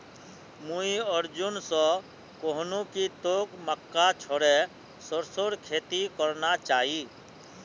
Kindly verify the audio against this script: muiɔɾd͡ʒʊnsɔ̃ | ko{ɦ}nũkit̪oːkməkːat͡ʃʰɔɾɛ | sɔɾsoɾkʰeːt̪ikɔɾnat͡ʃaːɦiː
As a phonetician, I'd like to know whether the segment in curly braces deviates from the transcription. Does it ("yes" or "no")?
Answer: no